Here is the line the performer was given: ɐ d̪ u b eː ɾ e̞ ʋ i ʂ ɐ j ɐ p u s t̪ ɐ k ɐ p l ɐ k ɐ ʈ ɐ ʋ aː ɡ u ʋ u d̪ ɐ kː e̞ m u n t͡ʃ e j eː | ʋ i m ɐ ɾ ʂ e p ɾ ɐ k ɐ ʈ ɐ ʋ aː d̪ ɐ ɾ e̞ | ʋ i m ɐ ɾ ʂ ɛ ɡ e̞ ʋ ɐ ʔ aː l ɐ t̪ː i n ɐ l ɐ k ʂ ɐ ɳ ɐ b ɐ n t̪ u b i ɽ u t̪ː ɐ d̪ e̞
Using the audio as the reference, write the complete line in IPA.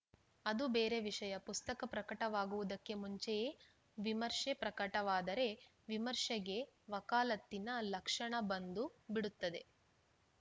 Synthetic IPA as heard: ɐ d̪ u b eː ɾ e̞ ʋ i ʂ ɐ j ɐ p u s t̪ ɐ k ɐ p ɾ ɐ k ɐ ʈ ɐ ʋ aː ɡ u ʋ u d̪ ɐ kː e̞ m u ɲ t͡ʃ e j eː | ʋ i m ɐ ɾ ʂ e p ɾ ɐ k ɐ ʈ ɐ ʋ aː d̪ ɐ ɾ e̞ | ʋ i m ɐ ɾ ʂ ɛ ɡ e̞ ʋ ɐ k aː l ɐ t̪ː i n ɐ l ɐ k ʂ ɐ ɳ ɐ b ɐ n d̪ u b i ɽ u t̪ː ɐ d̪ e̞